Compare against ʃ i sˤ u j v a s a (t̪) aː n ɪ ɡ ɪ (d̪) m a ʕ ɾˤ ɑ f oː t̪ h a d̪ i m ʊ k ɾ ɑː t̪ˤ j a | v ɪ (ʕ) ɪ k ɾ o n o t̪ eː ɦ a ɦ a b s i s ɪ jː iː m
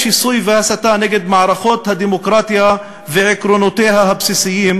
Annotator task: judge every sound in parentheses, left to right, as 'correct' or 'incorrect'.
correct, correct, correct

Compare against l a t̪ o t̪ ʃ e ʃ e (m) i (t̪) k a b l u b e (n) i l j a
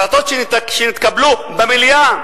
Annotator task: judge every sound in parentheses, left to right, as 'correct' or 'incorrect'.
incorrect: n, correct, incorrect: m

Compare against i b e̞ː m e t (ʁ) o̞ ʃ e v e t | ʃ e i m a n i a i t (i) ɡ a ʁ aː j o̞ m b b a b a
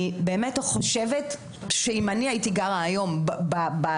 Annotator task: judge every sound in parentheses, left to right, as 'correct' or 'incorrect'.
incorrect: χ, correct

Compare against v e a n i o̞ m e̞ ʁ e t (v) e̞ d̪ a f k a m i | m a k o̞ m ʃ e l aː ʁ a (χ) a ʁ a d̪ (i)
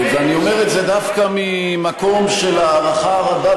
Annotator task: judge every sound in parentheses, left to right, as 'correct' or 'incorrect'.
incorrect: z, correct, incorrect: a

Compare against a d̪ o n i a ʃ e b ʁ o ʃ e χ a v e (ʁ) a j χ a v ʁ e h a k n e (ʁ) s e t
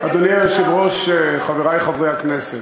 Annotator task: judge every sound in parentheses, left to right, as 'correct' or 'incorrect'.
correct, incorrect: none

